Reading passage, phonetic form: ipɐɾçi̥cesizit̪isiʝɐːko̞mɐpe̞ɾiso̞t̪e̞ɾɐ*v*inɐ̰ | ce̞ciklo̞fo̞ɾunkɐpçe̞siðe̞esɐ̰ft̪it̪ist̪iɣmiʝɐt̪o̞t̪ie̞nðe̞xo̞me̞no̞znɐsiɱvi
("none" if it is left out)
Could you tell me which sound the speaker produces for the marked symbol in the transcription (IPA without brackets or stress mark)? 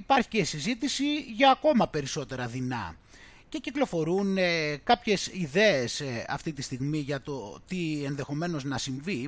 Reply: ð